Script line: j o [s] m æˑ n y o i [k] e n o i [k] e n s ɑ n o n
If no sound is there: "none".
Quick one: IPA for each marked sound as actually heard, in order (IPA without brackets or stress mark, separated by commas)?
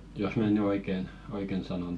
s, k, k